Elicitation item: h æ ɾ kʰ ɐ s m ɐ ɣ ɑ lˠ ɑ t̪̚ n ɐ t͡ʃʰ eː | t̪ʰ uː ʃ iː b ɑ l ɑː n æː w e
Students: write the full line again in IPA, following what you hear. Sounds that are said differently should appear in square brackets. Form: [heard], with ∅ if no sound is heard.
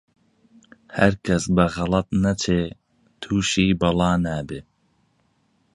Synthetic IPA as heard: h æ ɾ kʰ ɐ s [b] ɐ ɣ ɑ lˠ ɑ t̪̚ n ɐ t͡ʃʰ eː | t̪ʰ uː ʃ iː b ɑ l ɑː n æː [b] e

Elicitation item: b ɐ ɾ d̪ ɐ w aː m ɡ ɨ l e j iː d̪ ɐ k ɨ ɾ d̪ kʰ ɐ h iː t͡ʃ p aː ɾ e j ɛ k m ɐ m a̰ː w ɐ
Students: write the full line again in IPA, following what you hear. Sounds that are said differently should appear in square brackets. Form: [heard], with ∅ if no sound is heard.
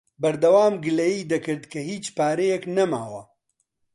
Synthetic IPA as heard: b ɐ ɾ d̪ ɐ w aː m ɡ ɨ l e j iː d̪ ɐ k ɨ ɾ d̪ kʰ ɐ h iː t͡ʃ p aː ɾ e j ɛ k [n] ɐ m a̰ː w ɐ

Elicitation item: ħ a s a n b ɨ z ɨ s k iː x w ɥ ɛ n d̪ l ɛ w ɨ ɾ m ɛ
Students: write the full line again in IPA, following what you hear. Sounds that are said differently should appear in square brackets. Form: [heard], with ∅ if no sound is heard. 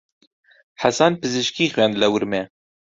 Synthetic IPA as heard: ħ a s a n [p] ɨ z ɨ [ʃ] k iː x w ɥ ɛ n d̪ l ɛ w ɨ ɾ m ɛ

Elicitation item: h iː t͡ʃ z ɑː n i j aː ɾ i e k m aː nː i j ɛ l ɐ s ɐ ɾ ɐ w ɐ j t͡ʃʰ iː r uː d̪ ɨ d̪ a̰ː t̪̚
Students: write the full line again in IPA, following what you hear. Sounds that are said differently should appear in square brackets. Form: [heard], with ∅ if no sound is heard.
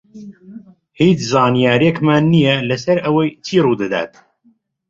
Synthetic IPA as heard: h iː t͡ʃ z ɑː n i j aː ɾ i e k m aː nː i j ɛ l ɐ s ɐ ɾ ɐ w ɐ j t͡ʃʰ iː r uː d̪ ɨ d̪ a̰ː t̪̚

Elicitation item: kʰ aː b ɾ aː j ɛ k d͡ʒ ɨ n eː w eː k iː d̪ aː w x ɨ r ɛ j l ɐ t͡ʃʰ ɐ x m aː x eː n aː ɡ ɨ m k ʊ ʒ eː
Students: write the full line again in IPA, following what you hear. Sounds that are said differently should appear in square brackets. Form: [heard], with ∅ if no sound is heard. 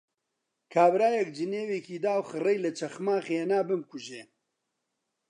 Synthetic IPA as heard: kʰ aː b ɾ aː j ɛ k d͡ʒ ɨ n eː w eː k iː d̪ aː w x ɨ r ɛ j l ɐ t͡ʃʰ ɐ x m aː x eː n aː [b] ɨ m k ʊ ʒ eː

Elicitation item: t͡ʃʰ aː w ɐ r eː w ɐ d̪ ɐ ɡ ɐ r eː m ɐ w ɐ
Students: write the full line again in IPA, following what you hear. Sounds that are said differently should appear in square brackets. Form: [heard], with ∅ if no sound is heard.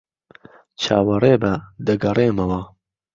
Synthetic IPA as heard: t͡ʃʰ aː w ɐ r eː [b] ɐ d̪ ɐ ɡ ɐ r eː m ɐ w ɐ

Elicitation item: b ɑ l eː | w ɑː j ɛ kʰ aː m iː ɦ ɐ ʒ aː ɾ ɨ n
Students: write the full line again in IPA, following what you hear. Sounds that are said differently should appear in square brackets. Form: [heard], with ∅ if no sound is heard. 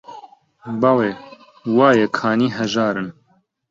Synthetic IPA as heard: b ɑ l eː | w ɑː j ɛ kʰ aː [n] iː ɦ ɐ ʒ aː ɾ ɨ n

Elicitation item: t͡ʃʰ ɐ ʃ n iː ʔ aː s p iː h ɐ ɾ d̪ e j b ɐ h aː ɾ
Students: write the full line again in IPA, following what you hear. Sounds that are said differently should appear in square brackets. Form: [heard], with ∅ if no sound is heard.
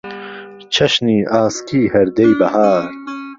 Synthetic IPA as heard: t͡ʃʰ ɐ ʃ n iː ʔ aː s [k] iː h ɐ ɾ d̪ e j b ɐ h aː ɾ

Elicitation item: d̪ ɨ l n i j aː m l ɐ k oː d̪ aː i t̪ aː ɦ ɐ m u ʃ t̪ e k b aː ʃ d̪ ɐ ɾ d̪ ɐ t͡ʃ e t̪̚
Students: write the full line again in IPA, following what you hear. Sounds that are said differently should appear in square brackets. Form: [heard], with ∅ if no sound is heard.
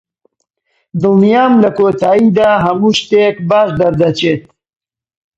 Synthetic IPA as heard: d̪ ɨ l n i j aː m l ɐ k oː [t̪] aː i [d̪] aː ɦ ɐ m u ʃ t̪ e k b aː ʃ d̪ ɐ ɾ d̪ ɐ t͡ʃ e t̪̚

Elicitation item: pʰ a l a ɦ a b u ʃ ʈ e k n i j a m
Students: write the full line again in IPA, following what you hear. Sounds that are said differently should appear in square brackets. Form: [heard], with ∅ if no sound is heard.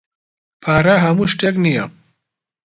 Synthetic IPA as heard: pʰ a [ɾ] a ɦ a [m] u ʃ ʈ e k n i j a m

